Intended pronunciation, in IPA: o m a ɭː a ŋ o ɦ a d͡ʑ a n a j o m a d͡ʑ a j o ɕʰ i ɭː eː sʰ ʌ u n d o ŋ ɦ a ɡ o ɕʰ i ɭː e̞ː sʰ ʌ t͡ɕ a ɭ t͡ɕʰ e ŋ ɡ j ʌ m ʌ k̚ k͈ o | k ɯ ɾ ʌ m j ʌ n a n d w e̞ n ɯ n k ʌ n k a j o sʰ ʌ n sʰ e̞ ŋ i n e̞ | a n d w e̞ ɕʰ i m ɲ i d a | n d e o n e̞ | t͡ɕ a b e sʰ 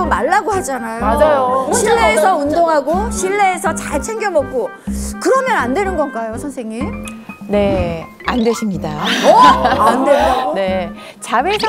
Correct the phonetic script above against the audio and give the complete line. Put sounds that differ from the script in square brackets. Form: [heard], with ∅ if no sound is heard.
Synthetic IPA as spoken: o m a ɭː a [ɡ] o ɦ a d͡ʑ a n a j o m a d͡ʑ a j o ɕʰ i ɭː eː sʰ ʌ u n d o ŋ ɦ a ɡ o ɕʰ i ɭː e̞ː sʰ ʌ t͡ɕ a ɭ t͡ɕʰ e ŋ ɡ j ʌ m ʌ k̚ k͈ o | k ɯ ɾ ʌ m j ʌ n a n d w e̞ n ɯ n [ɡ] ʌ n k a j o sʰ ʌ n sʰ e̞ ŋ i n e̞ | a n d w e̞ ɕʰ i m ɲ i d a | n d e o n e̞ | t͡ɕ a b e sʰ